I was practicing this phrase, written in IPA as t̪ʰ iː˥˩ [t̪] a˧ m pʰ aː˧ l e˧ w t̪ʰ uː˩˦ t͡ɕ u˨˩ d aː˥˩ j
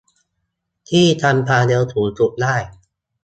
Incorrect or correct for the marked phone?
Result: incorrect: t̪ʰ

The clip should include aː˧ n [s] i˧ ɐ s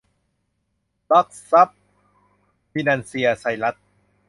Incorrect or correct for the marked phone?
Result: correct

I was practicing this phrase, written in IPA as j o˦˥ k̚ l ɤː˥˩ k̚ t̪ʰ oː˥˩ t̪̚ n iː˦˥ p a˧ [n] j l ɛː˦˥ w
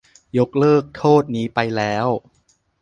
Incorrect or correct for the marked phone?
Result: incorrect: none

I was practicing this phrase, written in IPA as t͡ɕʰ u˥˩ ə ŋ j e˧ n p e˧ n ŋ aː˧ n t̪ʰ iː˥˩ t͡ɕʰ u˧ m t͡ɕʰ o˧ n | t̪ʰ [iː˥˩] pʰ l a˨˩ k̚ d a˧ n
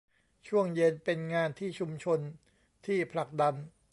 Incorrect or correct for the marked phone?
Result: correct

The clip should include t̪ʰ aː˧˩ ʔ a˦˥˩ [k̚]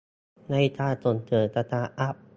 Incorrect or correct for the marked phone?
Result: incorrect: p̚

